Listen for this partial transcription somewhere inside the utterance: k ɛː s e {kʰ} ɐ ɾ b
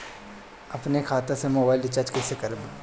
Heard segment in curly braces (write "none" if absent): k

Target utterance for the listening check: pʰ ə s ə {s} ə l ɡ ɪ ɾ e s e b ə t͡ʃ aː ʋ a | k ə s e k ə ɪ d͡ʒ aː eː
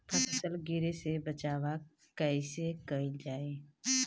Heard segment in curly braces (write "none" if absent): s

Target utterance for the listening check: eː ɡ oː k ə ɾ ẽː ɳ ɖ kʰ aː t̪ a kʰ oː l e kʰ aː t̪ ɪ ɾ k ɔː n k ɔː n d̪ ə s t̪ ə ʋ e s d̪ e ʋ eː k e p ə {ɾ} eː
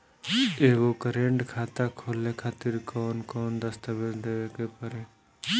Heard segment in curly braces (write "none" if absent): ɾ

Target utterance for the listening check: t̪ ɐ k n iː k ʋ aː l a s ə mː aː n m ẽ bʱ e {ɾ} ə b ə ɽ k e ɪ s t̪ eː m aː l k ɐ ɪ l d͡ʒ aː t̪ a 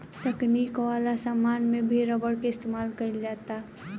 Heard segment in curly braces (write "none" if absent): ɾ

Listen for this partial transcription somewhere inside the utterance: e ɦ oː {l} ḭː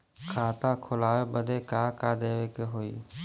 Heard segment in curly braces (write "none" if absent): none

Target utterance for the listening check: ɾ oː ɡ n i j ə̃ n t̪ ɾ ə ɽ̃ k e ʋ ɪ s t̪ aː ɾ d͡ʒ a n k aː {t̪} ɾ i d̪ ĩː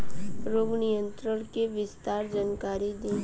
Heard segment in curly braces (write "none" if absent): none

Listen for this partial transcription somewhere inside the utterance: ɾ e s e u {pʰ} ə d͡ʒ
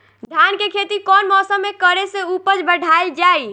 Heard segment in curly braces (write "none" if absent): p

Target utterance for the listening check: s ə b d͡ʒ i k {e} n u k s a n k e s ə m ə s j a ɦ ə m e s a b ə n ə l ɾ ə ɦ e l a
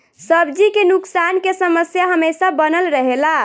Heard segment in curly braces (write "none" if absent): e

